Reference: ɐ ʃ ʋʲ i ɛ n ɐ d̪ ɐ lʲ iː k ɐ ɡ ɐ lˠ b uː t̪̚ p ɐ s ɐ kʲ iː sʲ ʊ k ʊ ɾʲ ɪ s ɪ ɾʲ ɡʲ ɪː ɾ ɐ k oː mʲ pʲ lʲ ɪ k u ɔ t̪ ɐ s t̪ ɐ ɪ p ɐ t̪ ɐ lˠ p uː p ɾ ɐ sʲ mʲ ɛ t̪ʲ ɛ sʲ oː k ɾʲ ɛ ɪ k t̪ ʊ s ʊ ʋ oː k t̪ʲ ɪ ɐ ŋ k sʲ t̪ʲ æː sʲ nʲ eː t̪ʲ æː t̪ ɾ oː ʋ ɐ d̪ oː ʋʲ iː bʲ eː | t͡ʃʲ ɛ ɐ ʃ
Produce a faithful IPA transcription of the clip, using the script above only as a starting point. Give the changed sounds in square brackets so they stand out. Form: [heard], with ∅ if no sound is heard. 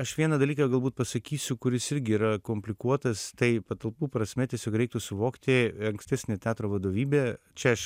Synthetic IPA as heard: ɐ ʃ ʋʲ i ɛ n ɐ d̪ ɐ lʲ iː k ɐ ɡ ɐ lˠ b uː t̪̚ p ɐ s ɐ kʲ iː sʲ ʊ k ʊ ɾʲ ɪ s ɪ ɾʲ ɡʲ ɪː ɾ ɐ k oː mʲ pʲ lʲ ɪ k u ɔ t̪ ɐ s t̪ ɐ ɪ p ɐ t̪ ɐ lˠ p uː p ɾ ɐ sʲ mʲ ɛ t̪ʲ ɛ sʲ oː k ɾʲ ɛ ɪ k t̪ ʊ s ʊ ʋ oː k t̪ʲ ɪ ɐ ŋ k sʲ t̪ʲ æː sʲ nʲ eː t̪ʲ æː t̪ ɾ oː ʋ ɐ d̪ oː ʋʲ iː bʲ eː | t͡ʃʲ ɛ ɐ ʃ